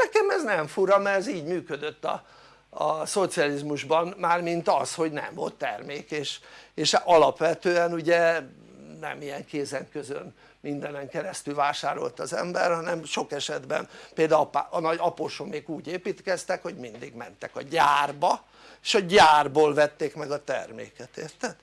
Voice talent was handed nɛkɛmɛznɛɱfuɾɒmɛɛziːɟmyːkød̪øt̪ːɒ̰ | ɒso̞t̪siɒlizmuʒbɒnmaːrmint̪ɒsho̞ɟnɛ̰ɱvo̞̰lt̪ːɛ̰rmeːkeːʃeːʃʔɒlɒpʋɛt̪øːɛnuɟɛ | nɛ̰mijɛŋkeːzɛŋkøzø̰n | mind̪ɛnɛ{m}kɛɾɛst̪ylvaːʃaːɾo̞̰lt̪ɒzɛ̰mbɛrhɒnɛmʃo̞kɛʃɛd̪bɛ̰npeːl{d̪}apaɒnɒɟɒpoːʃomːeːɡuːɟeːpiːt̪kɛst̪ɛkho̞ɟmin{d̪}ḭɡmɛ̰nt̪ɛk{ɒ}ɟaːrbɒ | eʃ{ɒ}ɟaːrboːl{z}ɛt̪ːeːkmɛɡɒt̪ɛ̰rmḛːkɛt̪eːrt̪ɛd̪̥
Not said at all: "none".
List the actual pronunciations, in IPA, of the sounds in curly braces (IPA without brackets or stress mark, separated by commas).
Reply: ŋ, d̪, d̪, ɒ, ɒ, v